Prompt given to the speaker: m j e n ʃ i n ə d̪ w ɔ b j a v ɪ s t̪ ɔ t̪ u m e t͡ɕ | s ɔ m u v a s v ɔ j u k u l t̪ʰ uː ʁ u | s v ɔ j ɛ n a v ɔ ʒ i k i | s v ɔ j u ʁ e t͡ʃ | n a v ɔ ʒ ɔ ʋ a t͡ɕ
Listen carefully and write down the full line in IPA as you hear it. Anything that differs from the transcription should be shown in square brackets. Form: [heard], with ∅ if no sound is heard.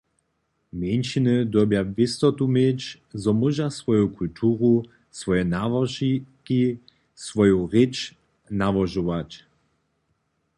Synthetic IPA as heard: m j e n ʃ i n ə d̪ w ɔ b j a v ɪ s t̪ ɔ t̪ u m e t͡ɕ | [z] ɔ m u [ʒ] a s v ɔ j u k u l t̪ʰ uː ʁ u | s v ɔ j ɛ n a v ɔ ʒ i k i | s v ɔ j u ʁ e t͡ʃ | n a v ɔ ʒ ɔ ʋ a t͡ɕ